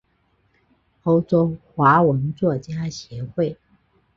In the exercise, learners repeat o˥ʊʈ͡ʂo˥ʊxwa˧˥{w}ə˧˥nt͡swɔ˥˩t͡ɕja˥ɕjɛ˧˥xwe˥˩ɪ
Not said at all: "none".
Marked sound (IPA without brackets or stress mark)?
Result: w